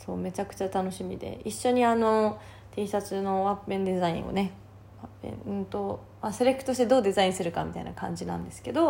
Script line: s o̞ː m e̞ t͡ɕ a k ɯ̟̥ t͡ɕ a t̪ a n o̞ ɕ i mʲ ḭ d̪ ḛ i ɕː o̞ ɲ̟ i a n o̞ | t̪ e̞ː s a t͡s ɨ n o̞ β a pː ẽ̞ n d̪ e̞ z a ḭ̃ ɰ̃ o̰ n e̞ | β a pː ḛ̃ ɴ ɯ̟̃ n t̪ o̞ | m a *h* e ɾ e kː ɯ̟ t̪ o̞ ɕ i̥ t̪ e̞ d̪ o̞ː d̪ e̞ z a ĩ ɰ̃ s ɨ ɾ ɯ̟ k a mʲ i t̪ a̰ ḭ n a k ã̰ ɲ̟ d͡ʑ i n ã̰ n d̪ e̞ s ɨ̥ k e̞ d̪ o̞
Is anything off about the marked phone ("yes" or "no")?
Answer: yes